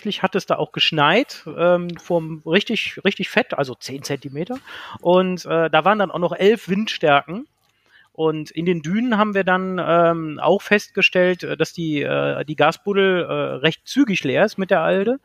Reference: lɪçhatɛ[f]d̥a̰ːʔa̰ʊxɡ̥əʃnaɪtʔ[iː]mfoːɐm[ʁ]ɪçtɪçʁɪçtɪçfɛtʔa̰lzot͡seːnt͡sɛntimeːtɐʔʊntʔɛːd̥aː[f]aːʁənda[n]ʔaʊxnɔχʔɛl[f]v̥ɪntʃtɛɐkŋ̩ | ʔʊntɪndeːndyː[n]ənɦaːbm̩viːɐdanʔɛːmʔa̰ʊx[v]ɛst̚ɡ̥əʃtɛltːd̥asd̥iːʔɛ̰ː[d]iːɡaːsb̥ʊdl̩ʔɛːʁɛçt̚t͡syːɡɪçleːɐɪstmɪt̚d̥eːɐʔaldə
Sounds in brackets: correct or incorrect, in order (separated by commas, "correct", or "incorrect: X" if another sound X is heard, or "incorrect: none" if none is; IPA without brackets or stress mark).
incorrect: s, incorrect: ɛː, correct, incorrect: v, correct, correct, correct, incorrect: f, correct